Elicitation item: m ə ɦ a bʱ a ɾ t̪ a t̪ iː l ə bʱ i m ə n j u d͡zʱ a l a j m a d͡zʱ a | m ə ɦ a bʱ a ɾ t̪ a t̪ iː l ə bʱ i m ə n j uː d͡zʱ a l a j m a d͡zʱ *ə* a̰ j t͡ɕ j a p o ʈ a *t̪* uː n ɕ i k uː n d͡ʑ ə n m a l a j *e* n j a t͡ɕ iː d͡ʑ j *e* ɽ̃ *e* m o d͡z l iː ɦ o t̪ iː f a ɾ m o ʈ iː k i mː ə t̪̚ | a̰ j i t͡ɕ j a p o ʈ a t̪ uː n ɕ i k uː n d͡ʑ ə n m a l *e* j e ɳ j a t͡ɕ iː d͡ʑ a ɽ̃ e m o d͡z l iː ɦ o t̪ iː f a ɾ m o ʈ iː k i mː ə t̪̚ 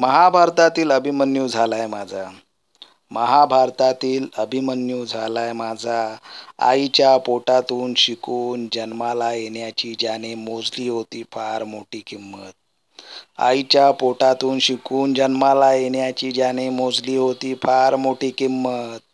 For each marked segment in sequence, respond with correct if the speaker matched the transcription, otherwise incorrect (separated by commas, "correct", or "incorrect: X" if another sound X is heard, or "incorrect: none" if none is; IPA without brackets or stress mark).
incorrect: a, correct, correct, incorrect: a, correct, incorrect: a